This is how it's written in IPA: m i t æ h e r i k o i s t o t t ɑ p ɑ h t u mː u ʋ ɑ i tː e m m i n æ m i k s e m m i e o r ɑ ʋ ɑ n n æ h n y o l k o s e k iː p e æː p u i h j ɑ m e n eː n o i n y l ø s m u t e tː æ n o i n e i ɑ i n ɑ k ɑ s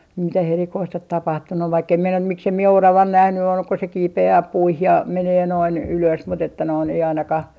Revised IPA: m i t æ h e r i k o i s t o t t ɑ p ɑ h t u nː u ʋ ɑ i kː e m m i n æ m i k s e m m i e o r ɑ ʋ ɑ n n æ h n y o l k o s e k iː p e æː p u i h j ɑ m e n eː n o i n y l ø s m u t e tː æ n o i n e i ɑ i n ɑ k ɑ h